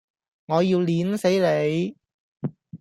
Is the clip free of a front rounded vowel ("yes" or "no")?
yes